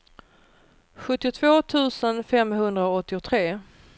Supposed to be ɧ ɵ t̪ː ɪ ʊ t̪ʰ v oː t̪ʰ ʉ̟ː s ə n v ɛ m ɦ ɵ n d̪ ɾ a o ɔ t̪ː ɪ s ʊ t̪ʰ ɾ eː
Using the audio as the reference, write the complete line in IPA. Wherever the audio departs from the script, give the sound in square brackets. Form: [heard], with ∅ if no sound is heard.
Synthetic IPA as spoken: ɧ ɵ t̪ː ɪ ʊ t̪ʰ v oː t̪ʰ ʉ̟ː s ə n [f] ɛ m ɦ ɵ n d̪ ɾ a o ɔ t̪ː ɪ [∅] ʊ t̪ʰ ɾ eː